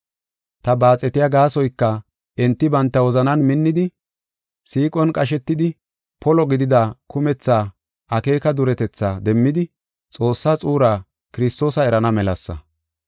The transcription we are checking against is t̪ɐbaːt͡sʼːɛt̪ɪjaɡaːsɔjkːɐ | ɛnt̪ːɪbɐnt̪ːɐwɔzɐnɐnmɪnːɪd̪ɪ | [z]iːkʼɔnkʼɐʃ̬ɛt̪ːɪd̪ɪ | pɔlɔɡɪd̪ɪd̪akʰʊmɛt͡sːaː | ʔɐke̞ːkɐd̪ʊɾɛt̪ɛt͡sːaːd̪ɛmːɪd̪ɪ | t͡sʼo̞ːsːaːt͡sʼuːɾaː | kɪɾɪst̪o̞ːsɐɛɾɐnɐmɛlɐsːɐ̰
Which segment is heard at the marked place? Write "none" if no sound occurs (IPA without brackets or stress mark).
s